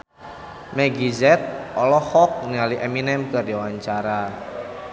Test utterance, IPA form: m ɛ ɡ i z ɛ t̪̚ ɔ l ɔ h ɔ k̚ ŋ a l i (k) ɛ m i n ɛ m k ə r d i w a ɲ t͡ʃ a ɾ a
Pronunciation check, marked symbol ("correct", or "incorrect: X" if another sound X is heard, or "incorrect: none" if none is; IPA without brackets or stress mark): incorrect: ʔ